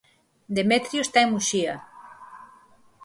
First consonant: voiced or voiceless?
voiced